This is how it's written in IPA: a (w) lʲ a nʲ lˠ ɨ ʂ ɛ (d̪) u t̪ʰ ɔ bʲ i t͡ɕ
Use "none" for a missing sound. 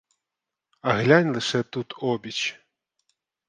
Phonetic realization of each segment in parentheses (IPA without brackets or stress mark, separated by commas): ɣ, t̪